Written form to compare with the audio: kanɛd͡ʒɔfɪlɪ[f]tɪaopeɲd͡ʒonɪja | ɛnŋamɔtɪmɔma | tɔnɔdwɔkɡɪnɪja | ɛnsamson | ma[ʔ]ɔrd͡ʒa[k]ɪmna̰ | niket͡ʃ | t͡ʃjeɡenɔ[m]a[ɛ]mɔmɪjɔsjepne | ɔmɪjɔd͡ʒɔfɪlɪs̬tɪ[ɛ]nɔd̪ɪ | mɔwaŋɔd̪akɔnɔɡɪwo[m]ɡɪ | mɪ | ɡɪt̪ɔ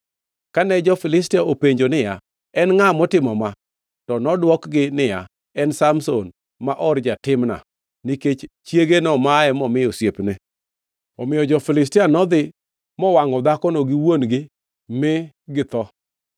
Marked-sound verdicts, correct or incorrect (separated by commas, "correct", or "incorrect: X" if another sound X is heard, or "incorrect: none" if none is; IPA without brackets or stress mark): incorrect: s, correct, incorrect: t, correct, correct, incorrect: a, incorrect: n